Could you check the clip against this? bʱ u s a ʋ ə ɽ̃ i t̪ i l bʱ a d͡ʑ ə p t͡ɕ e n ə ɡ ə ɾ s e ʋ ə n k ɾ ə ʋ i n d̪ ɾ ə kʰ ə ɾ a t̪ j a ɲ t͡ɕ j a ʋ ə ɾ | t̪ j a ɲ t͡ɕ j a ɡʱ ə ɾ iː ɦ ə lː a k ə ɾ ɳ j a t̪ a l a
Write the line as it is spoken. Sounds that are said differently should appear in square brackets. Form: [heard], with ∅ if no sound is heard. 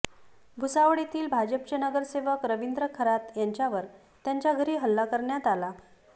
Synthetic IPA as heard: bʱ u s a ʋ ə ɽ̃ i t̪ [iː] l bʱ a d͡ʑ ə p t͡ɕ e n ə ɡ ə ɾ s e ʋ ə [∅] k ɾ ə ʋ i n d̪ ɾ ə kʰ ə ɾ a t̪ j a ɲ t͡ɕ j a ʋ ə ɾ | t̪ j a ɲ t͡ɕ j a ɡʱ ə ɾ iː ɦ ə lː a k ə ɾ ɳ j a t̪ a l a